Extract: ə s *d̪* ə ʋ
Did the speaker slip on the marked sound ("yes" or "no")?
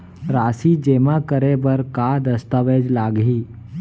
yes